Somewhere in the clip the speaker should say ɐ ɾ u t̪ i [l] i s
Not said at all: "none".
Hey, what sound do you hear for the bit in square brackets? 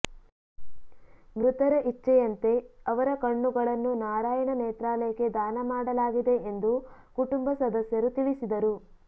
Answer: ɭ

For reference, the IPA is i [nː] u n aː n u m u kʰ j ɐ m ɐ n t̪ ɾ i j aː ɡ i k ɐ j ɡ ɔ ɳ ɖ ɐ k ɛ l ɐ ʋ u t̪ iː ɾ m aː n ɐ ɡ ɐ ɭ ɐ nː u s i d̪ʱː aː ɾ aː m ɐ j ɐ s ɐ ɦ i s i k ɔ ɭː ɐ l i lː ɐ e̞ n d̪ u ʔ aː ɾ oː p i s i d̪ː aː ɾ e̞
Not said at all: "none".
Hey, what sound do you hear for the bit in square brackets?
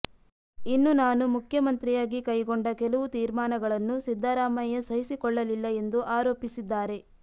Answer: nː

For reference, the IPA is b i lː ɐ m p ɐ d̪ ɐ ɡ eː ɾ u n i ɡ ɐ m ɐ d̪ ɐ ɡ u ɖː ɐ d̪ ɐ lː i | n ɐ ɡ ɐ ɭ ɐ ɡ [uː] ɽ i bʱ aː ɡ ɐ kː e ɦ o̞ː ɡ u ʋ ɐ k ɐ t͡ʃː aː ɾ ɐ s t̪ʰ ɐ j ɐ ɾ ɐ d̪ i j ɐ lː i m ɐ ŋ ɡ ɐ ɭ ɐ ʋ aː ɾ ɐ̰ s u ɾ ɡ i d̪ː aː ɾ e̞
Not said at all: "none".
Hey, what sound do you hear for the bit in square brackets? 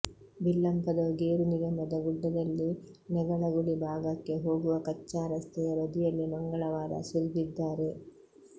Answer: u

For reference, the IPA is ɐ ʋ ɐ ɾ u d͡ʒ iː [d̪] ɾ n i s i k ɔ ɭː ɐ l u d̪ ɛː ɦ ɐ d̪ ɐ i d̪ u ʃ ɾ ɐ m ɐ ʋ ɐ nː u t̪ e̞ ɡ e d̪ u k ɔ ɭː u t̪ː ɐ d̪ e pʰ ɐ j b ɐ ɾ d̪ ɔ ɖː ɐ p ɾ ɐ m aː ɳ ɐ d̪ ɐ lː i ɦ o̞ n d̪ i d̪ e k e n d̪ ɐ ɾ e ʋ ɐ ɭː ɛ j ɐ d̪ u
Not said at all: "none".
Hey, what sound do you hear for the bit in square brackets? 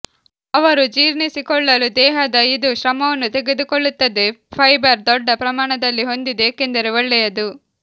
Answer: none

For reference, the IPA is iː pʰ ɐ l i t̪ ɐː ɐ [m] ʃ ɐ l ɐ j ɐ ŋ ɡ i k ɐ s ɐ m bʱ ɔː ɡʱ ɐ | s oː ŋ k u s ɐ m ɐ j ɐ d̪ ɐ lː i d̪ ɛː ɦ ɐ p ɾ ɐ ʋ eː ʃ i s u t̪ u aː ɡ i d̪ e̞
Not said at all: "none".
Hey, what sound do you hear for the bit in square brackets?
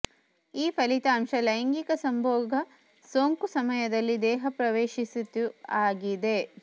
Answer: m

